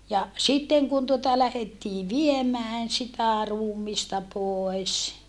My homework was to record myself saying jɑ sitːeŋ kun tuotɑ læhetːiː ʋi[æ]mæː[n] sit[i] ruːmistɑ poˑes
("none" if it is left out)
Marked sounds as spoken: e, n, æ

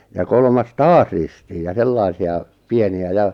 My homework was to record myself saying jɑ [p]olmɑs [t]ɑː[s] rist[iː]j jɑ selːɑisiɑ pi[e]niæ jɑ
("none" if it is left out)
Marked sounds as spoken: k, t, s, iː, e

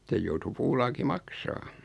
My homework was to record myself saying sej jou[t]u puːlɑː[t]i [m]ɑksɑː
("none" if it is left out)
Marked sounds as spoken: t, k, m

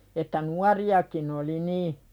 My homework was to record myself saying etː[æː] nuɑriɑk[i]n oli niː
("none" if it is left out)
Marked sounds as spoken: æ, i

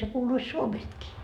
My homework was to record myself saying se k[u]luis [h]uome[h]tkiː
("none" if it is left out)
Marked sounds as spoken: uː, s, s

